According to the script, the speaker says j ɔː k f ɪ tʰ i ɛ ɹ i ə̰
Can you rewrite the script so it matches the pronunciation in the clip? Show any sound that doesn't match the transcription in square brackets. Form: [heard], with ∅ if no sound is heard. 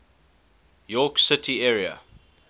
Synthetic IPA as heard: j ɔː k [s] ɪ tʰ i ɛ ɹ i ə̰